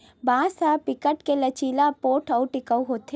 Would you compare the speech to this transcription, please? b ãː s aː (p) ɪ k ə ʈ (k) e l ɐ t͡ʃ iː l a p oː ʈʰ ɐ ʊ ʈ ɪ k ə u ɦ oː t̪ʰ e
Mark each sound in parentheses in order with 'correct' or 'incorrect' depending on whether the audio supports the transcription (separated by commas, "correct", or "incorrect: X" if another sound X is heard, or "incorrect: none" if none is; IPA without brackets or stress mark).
correct, correct